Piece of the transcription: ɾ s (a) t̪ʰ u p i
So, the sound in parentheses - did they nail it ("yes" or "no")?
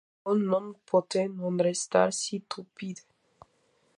no